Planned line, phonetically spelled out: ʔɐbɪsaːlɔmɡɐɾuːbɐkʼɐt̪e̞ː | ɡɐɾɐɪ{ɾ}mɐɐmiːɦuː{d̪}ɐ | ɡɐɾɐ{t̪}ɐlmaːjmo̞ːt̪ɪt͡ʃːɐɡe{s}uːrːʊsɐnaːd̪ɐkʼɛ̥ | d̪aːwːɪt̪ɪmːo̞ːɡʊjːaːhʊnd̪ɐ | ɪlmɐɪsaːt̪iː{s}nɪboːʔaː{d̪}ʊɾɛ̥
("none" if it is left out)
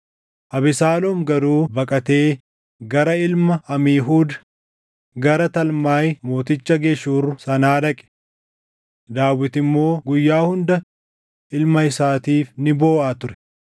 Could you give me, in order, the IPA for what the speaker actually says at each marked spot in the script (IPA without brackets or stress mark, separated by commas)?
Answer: l, d̪, t̪, ʃ, f, t̪